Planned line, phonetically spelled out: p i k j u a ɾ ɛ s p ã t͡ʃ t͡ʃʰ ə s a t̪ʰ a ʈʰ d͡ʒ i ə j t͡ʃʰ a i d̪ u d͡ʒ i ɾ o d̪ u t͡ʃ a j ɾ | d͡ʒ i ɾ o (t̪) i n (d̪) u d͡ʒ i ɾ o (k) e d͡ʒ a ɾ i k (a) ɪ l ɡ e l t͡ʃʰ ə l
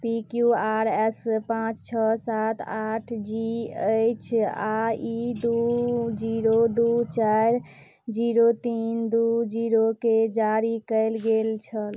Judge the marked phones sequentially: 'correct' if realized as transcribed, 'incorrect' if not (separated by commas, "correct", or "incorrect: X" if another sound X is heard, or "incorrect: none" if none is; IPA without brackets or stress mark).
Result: correct, correct, correct, incorrect: ə